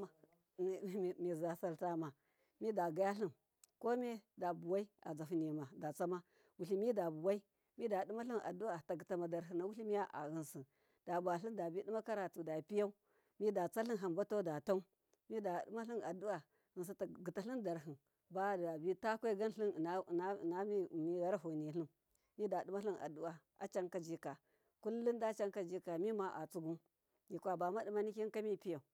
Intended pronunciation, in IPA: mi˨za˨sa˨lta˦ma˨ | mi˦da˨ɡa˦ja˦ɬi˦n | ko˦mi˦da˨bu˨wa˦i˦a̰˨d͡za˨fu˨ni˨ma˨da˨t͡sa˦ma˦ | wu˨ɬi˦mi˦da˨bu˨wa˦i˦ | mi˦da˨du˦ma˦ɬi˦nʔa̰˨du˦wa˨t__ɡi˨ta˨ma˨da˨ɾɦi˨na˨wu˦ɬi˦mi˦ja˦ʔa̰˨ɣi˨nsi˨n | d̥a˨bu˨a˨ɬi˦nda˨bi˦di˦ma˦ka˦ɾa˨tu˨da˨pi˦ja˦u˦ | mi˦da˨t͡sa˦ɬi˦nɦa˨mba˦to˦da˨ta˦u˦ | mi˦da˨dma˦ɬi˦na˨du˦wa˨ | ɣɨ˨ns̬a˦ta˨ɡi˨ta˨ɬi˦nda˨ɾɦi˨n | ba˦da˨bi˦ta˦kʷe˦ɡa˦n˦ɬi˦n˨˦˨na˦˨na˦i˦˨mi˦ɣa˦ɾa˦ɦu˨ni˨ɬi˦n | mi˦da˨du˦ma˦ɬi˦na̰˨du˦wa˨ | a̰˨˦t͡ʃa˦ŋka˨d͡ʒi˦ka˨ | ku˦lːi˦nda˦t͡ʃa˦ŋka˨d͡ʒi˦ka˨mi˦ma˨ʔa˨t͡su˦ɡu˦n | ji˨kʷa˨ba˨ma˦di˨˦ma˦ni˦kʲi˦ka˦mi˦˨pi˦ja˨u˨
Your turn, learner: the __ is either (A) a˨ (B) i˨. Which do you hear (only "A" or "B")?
A